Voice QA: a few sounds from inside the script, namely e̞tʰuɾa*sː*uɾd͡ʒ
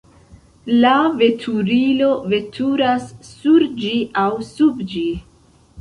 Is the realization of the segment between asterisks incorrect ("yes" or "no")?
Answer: no